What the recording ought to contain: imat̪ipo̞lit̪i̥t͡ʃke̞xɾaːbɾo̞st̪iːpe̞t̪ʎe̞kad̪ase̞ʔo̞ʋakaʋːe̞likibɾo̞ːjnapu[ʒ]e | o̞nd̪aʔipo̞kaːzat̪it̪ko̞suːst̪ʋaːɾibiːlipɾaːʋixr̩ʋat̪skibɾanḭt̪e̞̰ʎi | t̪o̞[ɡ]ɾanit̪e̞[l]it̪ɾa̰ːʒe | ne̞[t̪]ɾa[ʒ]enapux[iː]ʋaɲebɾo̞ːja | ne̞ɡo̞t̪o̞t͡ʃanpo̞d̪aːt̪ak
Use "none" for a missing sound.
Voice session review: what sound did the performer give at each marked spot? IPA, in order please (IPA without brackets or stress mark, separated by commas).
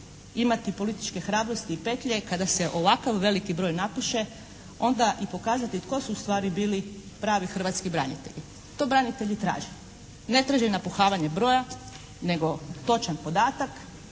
ʃ, b, ʎ, t̪, ʒ, aː